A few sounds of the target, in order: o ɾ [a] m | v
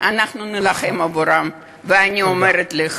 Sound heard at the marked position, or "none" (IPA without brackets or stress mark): a